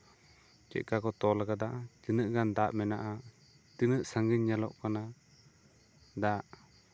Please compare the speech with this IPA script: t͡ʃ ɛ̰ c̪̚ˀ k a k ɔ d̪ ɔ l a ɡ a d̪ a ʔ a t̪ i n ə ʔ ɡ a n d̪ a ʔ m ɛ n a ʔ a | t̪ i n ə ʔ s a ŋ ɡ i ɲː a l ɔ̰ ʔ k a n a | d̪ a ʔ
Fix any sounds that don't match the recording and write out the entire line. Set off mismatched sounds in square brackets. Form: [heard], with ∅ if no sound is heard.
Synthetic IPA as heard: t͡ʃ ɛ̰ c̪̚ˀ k a k ɔ [t̪] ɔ l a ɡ a d̪ a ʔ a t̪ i n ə ʔ ɡ a n d̪ a ʔ m ɛ n a ʔ a | t̪ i n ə ʔ s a ŋ ɡ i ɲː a l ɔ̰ ʔ k a n a | d̪ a ʔ